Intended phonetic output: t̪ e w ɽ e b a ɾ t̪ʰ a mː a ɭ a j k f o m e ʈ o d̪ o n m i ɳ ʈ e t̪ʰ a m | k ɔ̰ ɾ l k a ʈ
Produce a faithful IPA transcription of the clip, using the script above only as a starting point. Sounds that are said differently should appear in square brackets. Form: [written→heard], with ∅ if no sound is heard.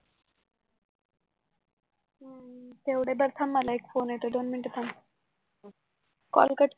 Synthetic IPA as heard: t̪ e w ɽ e b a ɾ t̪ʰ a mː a [ɭ→l] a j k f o [m→n] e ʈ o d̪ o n m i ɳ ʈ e t̪ʰ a m | k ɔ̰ [ɾ→∅] l k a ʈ